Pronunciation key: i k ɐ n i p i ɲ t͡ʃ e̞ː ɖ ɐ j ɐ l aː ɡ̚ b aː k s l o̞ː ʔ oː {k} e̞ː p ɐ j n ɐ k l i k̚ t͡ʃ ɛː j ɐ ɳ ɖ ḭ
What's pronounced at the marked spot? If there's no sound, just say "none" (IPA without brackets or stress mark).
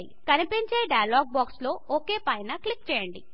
k